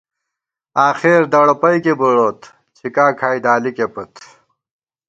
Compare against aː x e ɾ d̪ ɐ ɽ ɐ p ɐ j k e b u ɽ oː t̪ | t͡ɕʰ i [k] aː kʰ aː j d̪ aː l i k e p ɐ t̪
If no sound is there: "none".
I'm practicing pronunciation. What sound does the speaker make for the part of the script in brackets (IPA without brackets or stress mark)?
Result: k